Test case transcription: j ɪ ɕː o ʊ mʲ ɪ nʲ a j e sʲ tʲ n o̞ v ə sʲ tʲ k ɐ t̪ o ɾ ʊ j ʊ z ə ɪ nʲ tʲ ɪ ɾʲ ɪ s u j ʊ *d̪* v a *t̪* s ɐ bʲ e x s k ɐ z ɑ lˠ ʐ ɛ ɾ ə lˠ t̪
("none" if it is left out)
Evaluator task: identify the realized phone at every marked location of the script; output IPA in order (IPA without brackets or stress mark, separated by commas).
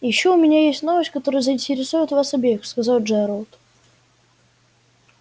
t̪, none